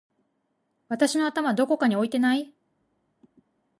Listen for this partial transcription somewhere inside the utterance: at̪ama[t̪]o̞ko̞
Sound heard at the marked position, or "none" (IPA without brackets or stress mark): d̪